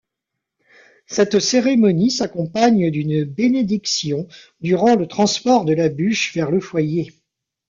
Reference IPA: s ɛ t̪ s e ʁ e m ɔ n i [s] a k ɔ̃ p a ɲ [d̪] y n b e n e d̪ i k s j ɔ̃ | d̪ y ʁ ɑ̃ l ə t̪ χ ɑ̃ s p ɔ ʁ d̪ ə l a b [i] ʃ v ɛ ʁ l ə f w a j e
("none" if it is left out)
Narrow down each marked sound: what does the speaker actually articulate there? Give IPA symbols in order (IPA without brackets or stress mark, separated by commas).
s, d̪, y